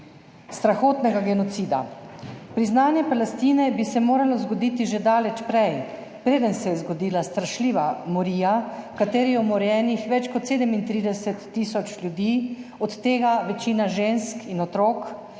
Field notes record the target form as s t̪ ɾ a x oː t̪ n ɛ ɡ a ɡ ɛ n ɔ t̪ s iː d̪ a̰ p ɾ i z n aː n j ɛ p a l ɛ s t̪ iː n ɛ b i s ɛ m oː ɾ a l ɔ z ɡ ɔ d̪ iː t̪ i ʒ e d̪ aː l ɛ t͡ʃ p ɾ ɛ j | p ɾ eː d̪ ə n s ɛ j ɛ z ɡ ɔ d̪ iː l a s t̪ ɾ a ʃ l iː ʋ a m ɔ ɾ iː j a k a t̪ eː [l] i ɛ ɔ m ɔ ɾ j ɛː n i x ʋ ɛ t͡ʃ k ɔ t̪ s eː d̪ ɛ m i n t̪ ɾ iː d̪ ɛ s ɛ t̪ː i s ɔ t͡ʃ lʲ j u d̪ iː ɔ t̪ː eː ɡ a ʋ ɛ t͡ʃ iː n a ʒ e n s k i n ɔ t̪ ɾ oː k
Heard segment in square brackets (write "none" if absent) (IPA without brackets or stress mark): ɾ